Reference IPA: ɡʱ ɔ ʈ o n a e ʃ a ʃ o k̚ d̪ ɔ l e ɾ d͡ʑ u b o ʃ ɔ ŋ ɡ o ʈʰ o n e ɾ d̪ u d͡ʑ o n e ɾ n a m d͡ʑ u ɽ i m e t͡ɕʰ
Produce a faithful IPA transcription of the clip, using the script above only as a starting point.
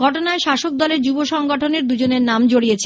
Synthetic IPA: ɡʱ ɔ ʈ o n a e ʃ a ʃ o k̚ d̪ ɔ l e ɾ d͡ʑ u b o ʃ ɔ ŋ ɡ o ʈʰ o n e ɾ d̪ u d͡ʑ o n e ɾ n a m d͡ʑ o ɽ i e t͡ɕʰ